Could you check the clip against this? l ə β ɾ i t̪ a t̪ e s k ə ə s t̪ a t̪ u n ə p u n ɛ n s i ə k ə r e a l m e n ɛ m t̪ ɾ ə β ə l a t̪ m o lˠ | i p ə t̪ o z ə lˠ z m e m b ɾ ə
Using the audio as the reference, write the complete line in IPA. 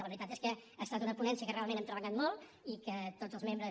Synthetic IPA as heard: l ə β ɾ i t̪ a t̪ e s k ə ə s t̪ a t̪ u n ə p u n ɛ n s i ə k ə r e a l m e n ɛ m t̪ ɾ ə β ə ʎ a t̪ m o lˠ | i k ə t̪ o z ə lˠ z m e m b ɾ ə